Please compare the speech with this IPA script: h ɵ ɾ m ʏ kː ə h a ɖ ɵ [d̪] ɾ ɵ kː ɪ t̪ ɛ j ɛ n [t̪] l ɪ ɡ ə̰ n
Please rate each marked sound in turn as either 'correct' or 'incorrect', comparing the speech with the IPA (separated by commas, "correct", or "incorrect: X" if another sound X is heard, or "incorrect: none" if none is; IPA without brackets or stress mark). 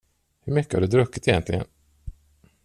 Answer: correct, correct